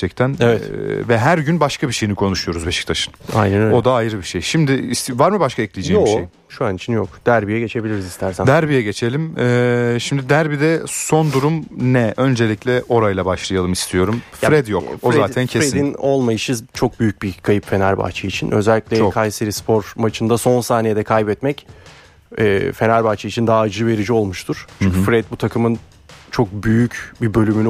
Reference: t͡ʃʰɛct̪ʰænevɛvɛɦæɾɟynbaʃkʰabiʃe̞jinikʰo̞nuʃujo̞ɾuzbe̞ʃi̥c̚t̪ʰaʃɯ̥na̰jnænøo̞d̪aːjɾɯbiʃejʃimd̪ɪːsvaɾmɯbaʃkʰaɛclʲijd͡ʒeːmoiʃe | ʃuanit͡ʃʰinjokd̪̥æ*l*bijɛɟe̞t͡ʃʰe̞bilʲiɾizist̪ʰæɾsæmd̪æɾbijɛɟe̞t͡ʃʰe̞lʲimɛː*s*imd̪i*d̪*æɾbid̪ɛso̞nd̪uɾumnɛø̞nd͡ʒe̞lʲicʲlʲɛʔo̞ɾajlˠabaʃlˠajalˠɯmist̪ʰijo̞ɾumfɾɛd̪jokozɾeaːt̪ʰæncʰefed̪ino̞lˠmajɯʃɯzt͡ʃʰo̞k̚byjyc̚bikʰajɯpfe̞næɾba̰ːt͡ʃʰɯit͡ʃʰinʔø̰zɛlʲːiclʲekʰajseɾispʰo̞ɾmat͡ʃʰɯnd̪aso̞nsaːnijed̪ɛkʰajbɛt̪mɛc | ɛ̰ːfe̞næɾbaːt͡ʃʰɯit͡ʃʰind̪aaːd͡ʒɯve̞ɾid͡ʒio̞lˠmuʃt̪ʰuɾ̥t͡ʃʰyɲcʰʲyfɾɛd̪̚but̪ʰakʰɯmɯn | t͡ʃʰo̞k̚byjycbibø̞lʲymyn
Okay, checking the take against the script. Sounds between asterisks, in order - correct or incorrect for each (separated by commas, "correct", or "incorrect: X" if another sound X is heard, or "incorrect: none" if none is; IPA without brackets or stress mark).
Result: incorrect: ɾ, incorrect: ʃ, correct